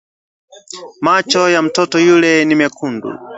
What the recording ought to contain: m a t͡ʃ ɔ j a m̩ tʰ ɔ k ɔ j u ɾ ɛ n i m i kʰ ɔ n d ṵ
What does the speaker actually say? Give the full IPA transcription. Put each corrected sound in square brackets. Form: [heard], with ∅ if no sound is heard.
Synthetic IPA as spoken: m a t͡ʃ ɔ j a m̩ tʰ ɔ [t] ɔ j u [l] ɛ n i m [ɛ] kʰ [u] n d ṵ